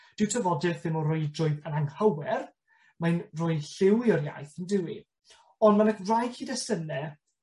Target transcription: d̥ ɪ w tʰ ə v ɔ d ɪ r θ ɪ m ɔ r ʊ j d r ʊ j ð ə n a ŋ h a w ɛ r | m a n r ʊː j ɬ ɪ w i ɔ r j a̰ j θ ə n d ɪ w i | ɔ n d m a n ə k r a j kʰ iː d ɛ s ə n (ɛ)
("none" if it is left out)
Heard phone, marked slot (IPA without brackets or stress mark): ɛ